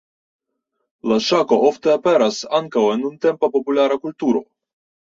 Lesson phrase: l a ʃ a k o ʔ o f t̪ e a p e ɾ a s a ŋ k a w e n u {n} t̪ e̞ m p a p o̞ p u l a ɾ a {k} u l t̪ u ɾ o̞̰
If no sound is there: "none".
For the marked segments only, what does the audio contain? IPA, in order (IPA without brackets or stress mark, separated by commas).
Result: n, k